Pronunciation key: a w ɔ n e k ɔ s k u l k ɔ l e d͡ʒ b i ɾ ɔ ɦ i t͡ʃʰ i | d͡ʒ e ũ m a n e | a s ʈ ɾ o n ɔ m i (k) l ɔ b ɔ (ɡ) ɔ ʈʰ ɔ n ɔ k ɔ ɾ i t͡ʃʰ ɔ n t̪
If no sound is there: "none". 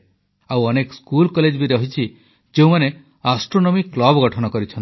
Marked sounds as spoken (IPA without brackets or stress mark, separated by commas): k, ɡ